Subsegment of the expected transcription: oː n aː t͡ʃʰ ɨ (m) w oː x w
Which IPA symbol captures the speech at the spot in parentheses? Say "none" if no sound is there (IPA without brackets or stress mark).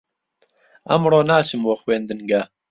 m